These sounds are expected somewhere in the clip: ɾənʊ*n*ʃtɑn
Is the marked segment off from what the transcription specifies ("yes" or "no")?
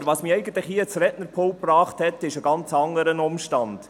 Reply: yes